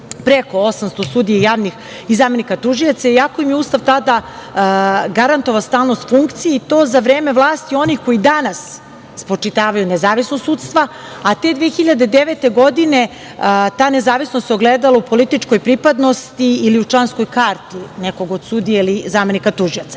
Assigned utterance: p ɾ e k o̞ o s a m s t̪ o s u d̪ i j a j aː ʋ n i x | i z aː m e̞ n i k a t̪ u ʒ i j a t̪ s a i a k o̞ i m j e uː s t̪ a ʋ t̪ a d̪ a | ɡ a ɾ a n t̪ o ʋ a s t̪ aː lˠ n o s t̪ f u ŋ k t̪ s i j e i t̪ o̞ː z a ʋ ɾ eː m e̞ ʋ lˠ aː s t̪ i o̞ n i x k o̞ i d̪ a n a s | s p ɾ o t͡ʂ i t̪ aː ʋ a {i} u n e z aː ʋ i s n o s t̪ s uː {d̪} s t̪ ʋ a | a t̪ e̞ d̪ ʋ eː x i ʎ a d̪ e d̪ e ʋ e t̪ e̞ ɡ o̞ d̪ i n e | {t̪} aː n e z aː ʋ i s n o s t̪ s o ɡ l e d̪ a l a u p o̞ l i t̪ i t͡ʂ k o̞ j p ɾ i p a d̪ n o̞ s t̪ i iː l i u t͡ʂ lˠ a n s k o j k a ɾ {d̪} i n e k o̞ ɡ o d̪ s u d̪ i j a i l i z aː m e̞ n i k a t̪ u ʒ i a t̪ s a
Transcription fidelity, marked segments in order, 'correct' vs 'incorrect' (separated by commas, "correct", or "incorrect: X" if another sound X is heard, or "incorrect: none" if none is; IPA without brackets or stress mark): incorrect: j, incorrect: t̪, correct, incorrect: t̪